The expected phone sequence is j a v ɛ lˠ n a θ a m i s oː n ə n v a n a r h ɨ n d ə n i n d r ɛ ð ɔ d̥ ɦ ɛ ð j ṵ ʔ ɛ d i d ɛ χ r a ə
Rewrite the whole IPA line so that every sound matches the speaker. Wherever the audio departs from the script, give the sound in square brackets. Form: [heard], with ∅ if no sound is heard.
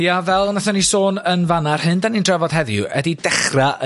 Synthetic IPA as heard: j a v ɛ lˠ n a θ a [n] i s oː n ə n v a n a r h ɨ n d [a] n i n d r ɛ [v] ɔ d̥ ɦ ɛ ð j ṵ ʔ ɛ d i d ɛ χ r a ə